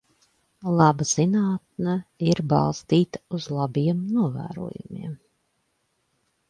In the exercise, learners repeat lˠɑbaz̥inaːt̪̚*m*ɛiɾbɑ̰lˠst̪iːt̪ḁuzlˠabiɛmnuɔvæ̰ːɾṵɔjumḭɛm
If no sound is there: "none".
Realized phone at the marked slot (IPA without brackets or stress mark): n